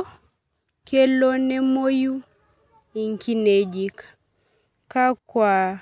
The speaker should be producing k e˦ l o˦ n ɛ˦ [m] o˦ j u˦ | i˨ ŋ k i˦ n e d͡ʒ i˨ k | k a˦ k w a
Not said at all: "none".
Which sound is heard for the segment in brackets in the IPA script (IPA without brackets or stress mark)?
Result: m